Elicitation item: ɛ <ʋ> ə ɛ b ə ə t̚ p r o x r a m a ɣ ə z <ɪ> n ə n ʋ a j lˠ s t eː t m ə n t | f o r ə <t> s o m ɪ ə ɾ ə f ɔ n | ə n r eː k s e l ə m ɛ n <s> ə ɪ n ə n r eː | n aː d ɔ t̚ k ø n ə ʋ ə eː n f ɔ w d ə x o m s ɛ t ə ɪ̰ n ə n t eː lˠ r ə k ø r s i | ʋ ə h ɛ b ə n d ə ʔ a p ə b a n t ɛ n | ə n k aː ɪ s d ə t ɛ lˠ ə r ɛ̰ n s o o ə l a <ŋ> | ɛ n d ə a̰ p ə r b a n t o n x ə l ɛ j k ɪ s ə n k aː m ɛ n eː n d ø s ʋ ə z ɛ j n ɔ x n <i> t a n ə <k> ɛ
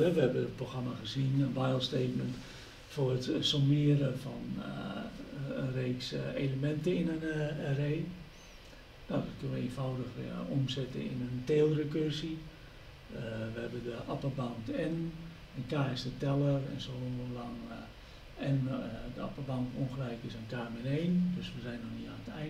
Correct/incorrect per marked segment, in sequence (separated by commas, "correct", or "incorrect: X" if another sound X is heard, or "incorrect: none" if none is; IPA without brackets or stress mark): correct, incorrect: i, correct, incorrect: t, correct, correct, incorrect: t